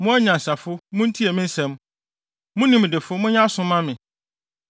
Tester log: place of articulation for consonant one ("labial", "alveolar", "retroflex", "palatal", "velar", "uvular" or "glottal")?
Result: labial